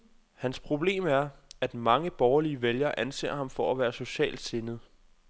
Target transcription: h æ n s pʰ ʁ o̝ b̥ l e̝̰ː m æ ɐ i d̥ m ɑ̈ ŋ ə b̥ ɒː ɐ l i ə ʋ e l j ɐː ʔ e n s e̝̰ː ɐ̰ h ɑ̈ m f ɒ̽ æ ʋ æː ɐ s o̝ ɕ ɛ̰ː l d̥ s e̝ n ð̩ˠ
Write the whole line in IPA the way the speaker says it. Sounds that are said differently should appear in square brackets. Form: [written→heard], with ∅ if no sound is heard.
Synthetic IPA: h æ n s pʰ ʁ o̝ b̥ l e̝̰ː m æ ɐ [i→æ] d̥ m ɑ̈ ŋ ə b̥ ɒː ɐ l i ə ʋ e l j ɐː ʔ [e→æ] n s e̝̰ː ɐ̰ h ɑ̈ m f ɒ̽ æ ʋ æː ɐ s o̝ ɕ ɛ̰ː l d̥ s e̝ n ð̩ˠ